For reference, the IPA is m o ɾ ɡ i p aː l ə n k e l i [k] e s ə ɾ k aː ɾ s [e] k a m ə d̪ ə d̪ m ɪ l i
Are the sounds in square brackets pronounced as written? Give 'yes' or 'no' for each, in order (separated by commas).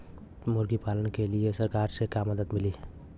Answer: no, yes